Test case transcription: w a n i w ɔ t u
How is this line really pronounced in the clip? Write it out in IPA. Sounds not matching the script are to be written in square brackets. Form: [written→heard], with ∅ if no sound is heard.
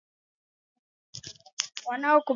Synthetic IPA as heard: w a n [i→a] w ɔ [t→k] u